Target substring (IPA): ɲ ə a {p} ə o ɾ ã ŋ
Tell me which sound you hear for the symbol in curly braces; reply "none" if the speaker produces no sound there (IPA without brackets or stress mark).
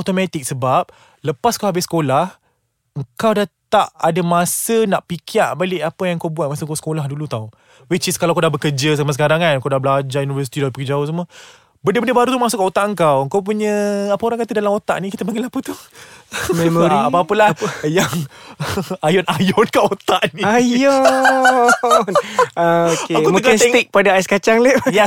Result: p